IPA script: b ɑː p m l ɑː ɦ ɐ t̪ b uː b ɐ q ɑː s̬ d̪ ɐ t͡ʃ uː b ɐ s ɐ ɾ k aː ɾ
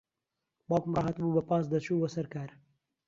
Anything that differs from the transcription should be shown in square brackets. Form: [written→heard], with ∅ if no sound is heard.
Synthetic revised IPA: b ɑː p m [l→r] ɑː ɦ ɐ t̪ b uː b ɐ [q→p] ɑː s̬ d̪ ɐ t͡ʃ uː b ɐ s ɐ ɾ k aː ɾ